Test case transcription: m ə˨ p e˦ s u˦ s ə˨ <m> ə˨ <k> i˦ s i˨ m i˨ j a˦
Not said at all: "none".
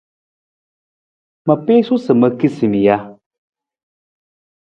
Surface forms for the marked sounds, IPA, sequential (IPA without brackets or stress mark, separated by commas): m, k